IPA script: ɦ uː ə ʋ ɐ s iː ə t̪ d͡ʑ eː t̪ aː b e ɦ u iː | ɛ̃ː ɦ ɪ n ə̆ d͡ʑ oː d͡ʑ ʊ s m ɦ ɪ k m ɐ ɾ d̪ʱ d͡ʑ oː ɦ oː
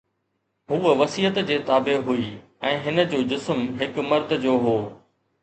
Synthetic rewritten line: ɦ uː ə ʋ ɐ s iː ə t̪ d͡ʑ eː t̪ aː b e ɦ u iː | ɛ̃ː ɦ ɪ n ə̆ d͡ʑ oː d͡ʑ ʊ s m ɦ ɪ k m ɐ ɾ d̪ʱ d͡ʑ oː ɦ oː

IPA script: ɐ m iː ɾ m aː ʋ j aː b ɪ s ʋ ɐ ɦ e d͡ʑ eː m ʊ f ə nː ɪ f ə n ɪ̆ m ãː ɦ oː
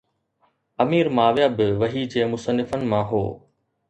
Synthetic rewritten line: ɐ m iː ɾ m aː ʋ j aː b ɪ ʋ ɐ ɦ i d͡ʑ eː m ʊ s ə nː ɪ f ə n ɪ̆ m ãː ɦ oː

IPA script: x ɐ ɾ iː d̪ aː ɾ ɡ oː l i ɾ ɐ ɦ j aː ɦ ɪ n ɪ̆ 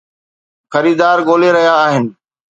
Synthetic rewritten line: x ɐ ɾ iː d̪ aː ɾ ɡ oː l e ɾ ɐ ɦ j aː ɦ ɪ n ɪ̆

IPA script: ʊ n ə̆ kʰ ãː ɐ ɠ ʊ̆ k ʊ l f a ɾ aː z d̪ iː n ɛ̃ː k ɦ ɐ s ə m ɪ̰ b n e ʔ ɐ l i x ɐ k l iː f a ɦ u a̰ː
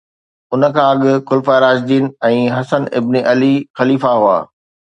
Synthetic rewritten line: ʊ n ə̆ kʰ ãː ɐ ɠ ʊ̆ k ʊ l f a ɾ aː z d̪ iː n ɛ̃ː ɦ ɐ s ə n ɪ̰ b n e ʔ ɐ l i x ɐ l iː f a ɦ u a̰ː

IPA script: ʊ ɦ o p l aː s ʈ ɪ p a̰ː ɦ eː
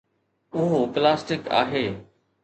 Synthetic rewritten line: ʊ ɦ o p l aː s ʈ ɪ k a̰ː ɦ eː

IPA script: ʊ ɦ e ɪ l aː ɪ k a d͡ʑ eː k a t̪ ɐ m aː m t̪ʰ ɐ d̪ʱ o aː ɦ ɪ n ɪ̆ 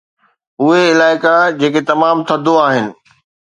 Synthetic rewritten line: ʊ ɦ e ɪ l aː ɪ k a d͡ʑ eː k e t̪ ɐ m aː m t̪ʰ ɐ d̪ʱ o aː ɦ ɪ n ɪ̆

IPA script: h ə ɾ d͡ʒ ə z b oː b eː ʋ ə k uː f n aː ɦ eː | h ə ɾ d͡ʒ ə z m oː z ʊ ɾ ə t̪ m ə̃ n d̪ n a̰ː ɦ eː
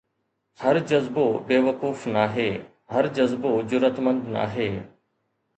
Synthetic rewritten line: h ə ɾ d͡ʒ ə z b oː b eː ʋ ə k uː f n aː ɦ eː | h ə ɾ d͡ʒ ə z b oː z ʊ ɾ ə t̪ m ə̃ n d̪ n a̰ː ɦ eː

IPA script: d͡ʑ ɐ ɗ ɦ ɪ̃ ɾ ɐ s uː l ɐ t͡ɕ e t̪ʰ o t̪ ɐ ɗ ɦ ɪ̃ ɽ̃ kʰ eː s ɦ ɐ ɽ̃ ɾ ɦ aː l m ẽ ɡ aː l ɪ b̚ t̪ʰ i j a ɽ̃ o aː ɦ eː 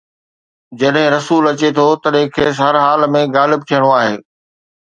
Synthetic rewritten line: d͡ʑ ɐ ɗ ɦ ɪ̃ ɾ ɐ s uː l ɐ t͡ɕ e t̪ʰ o t̪ ɐ ɗ ɦ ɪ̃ kʰ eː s ɦ ɐ ɾ ɦ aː l m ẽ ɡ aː l ɪ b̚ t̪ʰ i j ə ɽ̃ o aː ɦ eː

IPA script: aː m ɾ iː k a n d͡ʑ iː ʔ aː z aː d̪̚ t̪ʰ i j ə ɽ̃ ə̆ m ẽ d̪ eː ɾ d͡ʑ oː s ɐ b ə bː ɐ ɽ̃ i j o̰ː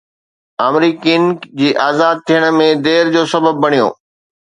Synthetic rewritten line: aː m ɾ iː k i n d͡ʑ iː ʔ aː z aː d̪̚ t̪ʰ i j ə ɽ̃ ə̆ m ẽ d̪ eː ɾ d͡ʑ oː s ɐ b ə bː ɐ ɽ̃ i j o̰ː

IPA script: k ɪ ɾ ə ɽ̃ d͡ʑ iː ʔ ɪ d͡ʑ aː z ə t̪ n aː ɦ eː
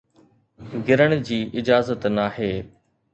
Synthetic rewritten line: ɡ ɪ ɾ ə ɽ̃ d͡ʑ iː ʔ ɪ d͡ʑ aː z ə t̪ n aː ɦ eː

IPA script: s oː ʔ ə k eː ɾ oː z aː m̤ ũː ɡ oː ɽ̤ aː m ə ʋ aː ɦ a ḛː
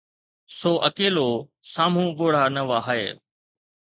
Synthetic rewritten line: s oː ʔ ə k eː l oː s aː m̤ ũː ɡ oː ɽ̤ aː n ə ʋ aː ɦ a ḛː

